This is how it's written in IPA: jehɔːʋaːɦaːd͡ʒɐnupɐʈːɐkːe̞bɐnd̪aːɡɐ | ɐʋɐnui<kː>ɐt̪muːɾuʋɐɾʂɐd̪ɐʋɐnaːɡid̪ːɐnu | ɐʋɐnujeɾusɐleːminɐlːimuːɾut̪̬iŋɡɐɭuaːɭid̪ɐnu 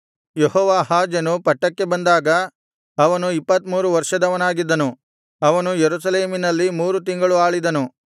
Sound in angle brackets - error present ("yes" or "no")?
yes